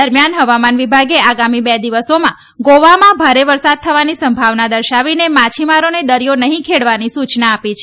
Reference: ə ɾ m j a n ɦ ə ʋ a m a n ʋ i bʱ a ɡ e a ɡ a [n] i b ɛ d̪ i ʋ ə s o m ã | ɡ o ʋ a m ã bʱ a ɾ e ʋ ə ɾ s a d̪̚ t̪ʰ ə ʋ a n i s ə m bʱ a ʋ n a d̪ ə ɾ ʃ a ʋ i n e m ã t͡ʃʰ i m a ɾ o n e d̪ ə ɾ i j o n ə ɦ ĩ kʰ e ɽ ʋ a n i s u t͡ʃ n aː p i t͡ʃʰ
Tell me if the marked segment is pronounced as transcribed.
no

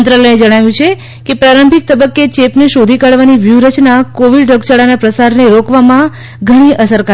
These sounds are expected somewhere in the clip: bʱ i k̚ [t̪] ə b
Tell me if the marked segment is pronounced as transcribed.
yes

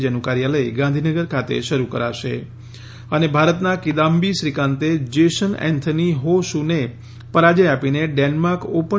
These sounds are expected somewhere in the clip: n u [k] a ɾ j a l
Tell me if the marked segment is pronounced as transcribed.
yes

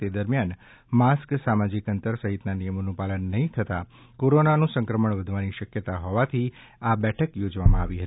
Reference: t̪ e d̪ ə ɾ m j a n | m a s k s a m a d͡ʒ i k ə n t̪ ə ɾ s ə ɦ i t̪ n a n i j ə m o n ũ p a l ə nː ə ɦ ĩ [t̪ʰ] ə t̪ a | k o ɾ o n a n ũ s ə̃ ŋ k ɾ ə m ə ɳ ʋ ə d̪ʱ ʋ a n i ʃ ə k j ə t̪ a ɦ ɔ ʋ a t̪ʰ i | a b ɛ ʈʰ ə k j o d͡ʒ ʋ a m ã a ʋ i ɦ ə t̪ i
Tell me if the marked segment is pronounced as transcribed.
yes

